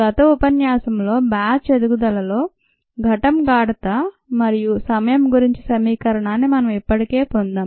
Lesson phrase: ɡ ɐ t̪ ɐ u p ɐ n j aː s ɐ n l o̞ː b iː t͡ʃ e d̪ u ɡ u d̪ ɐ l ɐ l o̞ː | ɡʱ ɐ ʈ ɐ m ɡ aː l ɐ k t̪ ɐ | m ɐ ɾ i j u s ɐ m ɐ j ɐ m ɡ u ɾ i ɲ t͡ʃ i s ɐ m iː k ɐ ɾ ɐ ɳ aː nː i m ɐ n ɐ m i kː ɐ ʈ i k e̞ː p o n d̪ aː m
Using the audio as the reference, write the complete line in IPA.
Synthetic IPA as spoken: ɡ ɐ t̪ ɐ u p ɐ n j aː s ɐ m l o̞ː b aː t͡ʃ e d̪ u ɡ u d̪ ɐ l ɐ l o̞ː | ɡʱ ɐ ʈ ɐ m ɡ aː ɽ ɐ t̪ ɐ | m ɐ ɾ i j u s ɐ m ɐ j ɐ m ɡ u ɾ i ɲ t͡ʃ i s ɐ m iː k ɐ ɾ ɐ ɳ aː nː i m ɐ n ɐ m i pː ɐ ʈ i k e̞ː p o n d̪ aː m